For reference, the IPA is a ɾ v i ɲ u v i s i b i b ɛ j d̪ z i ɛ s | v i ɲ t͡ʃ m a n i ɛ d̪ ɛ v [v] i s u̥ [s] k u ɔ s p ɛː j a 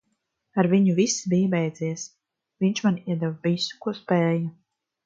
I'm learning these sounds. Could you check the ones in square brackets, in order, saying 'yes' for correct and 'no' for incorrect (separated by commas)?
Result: yes, no